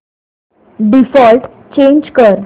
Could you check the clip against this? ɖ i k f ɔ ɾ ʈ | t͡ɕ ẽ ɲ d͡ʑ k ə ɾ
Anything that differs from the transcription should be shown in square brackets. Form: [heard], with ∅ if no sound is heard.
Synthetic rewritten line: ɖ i [∅] f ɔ [l] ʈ | t͡ɕ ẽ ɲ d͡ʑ k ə ɾ